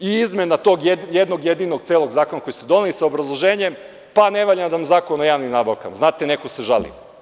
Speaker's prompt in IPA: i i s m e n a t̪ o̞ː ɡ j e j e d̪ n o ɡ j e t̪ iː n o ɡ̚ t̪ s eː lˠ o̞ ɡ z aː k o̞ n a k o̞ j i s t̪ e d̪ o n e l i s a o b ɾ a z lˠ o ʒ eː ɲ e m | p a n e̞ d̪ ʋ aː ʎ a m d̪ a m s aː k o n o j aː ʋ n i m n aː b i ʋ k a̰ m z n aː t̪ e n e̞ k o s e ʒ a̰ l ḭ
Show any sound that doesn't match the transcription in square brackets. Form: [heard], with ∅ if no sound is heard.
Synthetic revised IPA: i i [z] m e n a t̪ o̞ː ɡ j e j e d̪ n o ɡ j e [d̪] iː n o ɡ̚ t̪ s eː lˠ o̞ ɡ z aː k o̞ n a k o̞ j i s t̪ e d̪ o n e l i s a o b ɾ a z lˠ o ʒ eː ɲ e m | p a n e̞ [∅] ʋ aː ʎ a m d̪ a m [z] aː k o n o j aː ʋ n i m n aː b [a] ʋ k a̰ m z n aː t̪ e n e̞ k o s e ʒ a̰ l ḭ